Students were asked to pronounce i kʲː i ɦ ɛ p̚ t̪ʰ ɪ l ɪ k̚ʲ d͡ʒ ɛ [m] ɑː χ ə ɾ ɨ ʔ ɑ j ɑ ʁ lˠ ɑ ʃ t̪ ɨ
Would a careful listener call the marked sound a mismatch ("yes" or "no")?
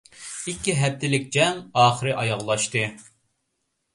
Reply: yes